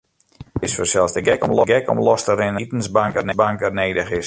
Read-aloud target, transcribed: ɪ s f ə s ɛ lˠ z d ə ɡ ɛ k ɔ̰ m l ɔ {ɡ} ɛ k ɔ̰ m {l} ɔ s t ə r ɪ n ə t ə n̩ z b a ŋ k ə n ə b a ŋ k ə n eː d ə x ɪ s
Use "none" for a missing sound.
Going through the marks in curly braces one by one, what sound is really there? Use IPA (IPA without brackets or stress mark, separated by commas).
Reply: ɡ, l